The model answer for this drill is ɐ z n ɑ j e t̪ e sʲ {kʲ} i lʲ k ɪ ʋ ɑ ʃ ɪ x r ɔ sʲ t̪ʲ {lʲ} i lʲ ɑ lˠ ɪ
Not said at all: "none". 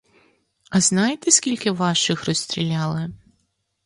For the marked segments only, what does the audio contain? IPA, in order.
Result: kʲ, ɾʲ

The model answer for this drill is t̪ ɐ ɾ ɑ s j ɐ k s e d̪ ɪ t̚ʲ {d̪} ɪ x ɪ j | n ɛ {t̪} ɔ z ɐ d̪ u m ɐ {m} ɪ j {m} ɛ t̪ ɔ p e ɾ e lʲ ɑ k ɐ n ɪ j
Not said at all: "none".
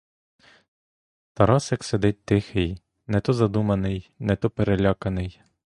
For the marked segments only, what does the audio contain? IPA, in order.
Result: t̪, t̪, n, n

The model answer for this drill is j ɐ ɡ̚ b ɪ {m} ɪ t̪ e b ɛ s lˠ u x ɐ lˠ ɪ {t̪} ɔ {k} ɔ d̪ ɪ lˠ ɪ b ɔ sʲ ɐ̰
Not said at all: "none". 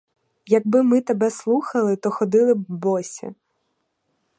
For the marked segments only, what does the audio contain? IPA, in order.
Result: m, t̪, x

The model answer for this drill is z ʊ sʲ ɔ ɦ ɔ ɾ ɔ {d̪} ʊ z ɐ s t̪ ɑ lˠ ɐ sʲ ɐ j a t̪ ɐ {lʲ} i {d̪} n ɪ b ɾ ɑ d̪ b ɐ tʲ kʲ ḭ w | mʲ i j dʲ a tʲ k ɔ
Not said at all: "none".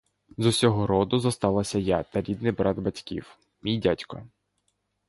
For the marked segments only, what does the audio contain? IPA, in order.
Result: d̪, ɾʲ, d̪

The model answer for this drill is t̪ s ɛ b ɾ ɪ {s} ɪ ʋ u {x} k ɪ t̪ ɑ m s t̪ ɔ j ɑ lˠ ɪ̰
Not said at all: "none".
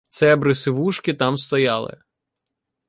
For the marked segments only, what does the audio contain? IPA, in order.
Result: s, ʃ

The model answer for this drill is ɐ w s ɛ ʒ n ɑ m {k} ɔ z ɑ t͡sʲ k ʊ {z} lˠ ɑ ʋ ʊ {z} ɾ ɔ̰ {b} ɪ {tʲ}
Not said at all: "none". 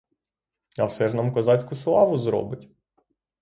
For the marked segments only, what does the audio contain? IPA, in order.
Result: k, s, z, b, tʲ

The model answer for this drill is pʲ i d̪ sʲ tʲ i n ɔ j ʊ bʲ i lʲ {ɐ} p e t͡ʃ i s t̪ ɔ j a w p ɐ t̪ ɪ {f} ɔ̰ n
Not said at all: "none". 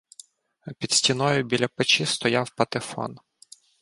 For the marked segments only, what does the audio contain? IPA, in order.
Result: ɐ, f

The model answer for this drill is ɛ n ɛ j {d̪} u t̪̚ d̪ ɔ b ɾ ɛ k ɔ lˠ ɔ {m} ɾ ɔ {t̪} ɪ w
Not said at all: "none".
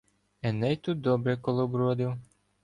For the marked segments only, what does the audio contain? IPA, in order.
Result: t̪, b, d̪

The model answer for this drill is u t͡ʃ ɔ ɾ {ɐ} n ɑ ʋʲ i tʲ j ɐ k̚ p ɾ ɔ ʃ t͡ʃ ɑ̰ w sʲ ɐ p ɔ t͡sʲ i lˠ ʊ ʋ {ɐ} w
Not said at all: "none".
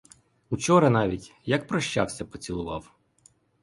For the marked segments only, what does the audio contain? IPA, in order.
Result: ɐ, ɑ

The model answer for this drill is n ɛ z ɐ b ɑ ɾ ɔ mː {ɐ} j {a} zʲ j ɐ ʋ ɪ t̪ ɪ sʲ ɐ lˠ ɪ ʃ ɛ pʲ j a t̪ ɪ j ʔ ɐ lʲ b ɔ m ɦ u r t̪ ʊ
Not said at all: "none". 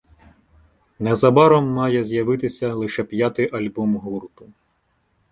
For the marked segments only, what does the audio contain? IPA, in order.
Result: ɑ, ɛ

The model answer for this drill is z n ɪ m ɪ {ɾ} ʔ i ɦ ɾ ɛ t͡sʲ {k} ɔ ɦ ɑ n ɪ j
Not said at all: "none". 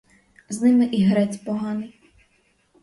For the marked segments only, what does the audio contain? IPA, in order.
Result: none, p

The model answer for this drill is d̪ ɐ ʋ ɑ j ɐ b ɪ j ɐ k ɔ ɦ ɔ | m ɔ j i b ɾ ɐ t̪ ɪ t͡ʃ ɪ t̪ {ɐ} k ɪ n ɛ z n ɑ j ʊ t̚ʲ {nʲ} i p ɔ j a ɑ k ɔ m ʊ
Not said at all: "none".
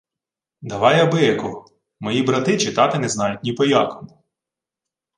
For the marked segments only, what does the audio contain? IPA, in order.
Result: ɑ, nʲ

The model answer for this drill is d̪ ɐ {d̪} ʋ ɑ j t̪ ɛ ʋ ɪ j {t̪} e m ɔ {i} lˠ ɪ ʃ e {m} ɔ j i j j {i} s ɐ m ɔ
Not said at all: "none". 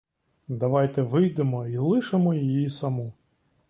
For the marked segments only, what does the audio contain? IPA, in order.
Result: none, d̪, i, m, i

